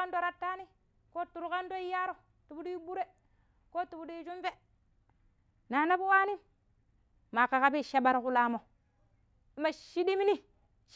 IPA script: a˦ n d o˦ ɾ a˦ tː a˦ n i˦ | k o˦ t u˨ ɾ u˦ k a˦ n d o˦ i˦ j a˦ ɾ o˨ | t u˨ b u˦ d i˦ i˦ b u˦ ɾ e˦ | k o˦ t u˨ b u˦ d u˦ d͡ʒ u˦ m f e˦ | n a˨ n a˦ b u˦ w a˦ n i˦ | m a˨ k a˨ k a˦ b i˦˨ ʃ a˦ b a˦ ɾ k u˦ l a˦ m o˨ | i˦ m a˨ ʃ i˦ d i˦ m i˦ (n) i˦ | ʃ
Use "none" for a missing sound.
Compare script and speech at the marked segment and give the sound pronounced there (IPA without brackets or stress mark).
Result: n